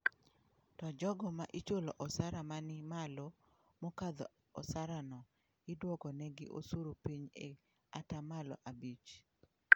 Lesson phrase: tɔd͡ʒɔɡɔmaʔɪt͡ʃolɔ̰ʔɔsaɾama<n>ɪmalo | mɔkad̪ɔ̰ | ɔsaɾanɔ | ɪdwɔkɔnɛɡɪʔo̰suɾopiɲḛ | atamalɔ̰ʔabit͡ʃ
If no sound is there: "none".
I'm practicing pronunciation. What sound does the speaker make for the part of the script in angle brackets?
n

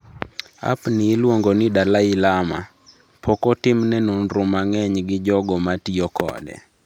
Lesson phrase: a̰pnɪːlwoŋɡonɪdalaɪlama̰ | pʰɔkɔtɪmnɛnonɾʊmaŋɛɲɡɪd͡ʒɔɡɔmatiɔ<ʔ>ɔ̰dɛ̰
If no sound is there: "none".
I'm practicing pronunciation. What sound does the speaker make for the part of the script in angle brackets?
k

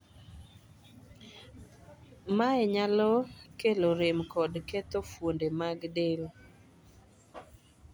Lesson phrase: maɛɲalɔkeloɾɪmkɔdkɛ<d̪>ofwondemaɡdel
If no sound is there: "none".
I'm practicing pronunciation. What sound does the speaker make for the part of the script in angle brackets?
t̪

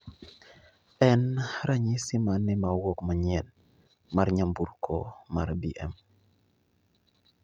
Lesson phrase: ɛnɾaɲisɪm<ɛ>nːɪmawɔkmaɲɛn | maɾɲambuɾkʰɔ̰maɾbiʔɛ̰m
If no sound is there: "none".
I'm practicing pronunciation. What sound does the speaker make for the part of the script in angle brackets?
a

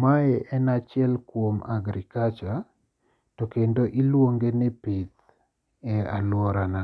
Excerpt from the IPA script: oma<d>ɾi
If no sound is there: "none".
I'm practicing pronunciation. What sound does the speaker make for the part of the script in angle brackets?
ɡ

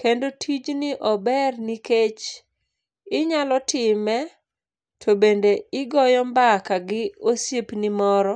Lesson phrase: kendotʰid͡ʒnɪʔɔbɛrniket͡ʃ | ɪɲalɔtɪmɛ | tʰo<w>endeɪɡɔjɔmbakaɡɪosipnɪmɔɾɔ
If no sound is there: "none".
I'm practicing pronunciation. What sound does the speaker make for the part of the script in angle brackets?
b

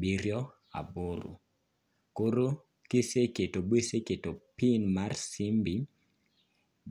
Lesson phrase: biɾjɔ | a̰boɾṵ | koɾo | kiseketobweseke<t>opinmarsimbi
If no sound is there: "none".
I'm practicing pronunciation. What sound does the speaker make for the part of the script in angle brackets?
t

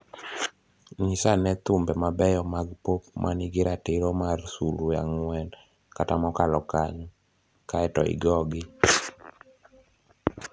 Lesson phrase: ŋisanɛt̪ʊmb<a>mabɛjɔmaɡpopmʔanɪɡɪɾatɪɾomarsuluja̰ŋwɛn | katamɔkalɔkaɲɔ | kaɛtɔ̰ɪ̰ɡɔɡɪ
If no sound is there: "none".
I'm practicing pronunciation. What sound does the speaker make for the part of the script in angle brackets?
ɛ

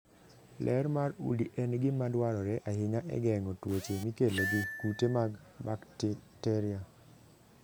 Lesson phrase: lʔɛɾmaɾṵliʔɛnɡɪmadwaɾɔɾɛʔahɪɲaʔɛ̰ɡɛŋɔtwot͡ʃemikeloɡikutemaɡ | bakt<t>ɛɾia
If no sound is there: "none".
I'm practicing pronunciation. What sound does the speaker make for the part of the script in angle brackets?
t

